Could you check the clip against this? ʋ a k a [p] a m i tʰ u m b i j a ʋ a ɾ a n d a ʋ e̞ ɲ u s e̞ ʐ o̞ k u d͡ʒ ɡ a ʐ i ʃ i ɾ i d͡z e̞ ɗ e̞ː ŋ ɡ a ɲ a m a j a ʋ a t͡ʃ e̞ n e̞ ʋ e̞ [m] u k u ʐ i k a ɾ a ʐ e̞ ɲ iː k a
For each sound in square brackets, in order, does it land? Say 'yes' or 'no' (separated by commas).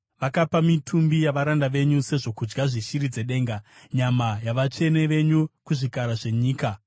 yes, no